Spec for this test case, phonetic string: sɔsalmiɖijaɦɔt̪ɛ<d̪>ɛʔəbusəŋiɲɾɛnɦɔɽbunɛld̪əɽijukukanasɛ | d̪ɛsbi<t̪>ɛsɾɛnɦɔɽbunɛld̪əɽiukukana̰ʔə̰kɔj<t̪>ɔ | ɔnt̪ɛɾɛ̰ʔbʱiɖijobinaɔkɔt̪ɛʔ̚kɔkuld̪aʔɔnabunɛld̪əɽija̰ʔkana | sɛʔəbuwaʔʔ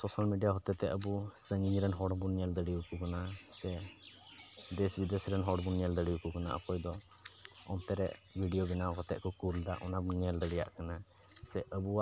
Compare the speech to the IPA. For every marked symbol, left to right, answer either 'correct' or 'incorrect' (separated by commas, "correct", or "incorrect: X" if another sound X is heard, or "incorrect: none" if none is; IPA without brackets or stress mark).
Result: incorrect: t̪, incorrect: d̪, incorrect: d̪